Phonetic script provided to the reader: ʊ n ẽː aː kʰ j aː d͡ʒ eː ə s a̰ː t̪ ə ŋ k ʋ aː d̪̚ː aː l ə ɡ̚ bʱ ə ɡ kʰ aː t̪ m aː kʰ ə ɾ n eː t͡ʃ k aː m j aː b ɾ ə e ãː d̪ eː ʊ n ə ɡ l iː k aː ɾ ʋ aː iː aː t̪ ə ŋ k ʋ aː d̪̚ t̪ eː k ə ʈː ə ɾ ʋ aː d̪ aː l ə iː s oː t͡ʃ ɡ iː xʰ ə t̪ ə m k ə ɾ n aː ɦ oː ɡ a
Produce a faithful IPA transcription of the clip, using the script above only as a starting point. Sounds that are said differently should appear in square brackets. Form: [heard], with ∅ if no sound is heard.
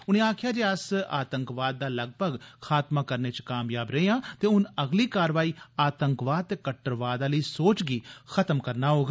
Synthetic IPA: ʊ n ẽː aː kʰ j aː d͡ʒ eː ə s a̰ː t̪ ə ŋ k ʋ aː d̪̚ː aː l ə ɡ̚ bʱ ə ɡ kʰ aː t̪ m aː [k] ə ɾ n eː t͡ʃ k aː m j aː b ɾ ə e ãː [t̪] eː ʊ n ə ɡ l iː k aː ɾ ʋ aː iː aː t̪ ə ŋ k ʋ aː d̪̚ t̪ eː k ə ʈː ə ɾ ʋ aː d̪ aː l ə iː s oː t͡ʃ ɡ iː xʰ ə t̪ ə m k ə ɾ n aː ɦ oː ɡ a